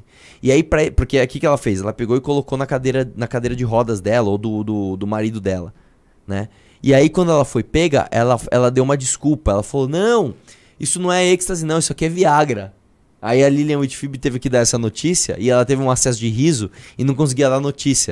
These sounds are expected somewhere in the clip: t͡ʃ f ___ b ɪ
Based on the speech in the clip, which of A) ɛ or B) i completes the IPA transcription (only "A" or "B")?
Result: B